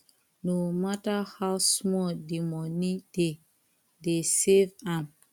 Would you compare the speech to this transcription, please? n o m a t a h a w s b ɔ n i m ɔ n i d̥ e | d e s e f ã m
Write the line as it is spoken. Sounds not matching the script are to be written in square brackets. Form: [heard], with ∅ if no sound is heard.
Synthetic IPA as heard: n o m a t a h a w s [m] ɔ [d] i m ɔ n i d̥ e | d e s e [v] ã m